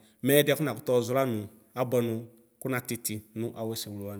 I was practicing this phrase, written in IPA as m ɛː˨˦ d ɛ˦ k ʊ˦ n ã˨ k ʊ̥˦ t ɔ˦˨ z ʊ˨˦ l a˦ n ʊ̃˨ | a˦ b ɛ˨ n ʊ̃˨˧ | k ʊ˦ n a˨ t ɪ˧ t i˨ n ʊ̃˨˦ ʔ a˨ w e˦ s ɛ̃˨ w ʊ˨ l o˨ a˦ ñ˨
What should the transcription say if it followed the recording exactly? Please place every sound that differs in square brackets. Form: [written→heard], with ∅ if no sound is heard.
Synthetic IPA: m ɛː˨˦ d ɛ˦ k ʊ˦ n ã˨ k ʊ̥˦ t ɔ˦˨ z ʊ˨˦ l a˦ n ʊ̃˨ | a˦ b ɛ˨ n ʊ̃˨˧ | k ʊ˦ n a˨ t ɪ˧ t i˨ n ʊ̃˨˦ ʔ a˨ w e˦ s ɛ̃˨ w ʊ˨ l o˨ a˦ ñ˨